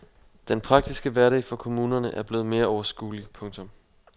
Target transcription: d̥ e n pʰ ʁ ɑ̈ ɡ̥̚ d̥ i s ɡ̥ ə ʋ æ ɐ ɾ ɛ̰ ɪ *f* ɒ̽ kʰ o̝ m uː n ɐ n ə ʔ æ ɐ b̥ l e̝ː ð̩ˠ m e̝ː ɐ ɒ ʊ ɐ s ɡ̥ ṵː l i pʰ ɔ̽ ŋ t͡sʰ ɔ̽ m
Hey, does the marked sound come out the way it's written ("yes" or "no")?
yes